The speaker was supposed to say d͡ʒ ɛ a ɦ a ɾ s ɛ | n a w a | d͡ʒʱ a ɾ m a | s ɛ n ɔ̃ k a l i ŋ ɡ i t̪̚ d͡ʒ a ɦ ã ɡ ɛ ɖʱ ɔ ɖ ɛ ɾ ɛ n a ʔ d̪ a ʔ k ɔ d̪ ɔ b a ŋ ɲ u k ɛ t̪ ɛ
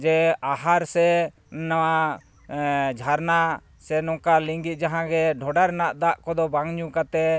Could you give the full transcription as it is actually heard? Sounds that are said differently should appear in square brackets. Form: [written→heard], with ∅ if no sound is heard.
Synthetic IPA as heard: d͡ʒ ɛ a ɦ a ɾ s ɛ | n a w a | d͡ʒʱ a ɾ [m→n] a | s ɛ n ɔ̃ k a l i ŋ ɡ i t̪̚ d͡ʒ a ɦ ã ɡ ɛ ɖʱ ɔ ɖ [ɛ→a] ɾ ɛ n a ʔ d̪ a ʔ k ɔ d̪ ɔ b a ŋ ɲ u k [ɛ→a] t̪ ɛ